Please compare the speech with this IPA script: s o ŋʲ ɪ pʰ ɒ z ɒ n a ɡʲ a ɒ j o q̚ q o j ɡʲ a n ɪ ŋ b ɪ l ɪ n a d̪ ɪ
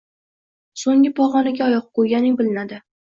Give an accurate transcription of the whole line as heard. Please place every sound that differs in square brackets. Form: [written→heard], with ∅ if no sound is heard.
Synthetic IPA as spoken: s o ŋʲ ɪ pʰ ɒ [z→ʁ] ɒ n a ɡʲ a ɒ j [o→ɒ] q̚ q o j ɡʲ a n ɪ ŋ b ɪ l ɪ n a d̪ ɪ